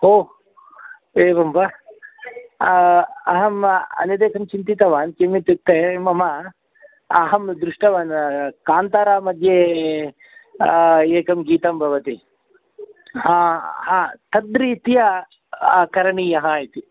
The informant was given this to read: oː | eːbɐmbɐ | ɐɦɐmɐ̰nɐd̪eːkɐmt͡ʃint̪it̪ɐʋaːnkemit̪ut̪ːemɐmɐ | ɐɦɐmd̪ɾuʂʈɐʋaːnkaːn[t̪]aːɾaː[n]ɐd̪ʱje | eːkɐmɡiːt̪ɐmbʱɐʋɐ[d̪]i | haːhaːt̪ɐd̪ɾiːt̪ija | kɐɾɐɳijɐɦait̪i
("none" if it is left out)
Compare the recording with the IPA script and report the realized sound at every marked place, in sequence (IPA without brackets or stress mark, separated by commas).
t̪, m, t̪